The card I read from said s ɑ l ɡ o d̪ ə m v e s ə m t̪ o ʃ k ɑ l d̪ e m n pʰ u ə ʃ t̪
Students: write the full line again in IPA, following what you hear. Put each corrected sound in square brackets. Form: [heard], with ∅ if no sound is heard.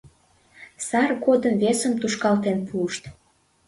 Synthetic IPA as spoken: s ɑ [r] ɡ o d̪ ə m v e s ə m t̪ [u] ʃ k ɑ l [t̪] e [∅] n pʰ u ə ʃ t̪